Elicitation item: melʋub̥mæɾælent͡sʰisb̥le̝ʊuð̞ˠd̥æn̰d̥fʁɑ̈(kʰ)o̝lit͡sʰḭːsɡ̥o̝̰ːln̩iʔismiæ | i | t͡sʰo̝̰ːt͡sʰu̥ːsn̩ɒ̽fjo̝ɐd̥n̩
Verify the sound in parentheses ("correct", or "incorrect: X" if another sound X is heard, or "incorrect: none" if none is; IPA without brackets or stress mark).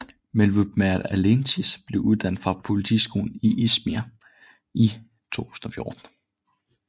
incorrect: pʰ